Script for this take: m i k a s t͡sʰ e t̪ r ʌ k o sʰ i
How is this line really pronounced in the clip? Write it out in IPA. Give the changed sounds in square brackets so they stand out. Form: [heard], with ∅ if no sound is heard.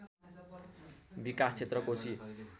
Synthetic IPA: [b] i k a s t͡sʰ e t̪ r ʌ k o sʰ i